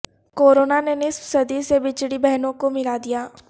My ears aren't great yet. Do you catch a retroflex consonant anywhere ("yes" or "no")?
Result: yes